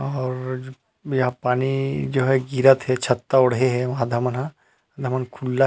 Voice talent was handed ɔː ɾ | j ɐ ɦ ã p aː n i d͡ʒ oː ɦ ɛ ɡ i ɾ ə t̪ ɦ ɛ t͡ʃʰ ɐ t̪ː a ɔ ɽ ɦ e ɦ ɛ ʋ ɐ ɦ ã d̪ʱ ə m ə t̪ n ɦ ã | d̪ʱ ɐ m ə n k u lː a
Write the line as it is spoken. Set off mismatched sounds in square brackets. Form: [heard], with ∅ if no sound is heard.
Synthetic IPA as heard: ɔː ɾ | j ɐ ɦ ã p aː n i d͡ʒ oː ɦ ɛ ɡ i ɾ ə t̪ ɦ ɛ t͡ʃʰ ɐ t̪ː a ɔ ɽ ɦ e ɦ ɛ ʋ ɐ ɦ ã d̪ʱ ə m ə [∅] n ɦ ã | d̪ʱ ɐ m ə n [kʰ] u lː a